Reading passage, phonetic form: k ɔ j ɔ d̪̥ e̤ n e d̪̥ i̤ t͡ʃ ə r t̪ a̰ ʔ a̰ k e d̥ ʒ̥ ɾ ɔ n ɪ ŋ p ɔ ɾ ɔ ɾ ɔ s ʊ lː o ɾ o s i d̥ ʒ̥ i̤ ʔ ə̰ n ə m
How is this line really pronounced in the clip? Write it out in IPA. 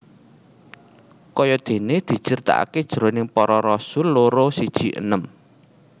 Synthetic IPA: k ɔ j ɔ d̪̥ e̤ n e d̪̥ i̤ t͡ʃ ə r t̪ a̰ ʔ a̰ k e d̥ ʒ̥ ɾ o n ɪ ŋ p ɔ ɾ ɔ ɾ ɔ s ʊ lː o ɾ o s i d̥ ʒ̥ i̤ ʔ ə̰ n ə m